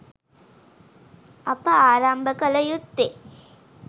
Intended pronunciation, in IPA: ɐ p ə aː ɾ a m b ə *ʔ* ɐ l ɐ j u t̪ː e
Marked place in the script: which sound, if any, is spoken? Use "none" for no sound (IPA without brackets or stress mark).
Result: k